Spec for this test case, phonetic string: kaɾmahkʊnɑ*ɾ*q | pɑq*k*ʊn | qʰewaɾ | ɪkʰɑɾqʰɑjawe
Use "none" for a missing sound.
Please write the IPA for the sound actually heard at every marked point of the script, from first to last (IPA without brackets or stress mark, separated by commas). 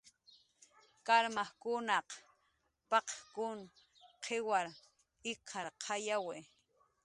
none, k